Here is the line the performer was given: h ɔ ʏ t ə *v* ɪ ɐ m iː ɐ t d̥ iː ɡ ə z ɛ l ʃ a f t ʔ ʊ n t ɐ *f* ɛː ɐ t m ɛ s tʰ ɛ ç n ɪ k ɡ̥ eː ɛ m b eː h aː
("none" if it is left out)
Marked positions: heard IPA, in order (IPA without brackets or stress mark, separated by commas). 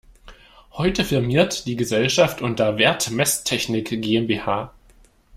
f, v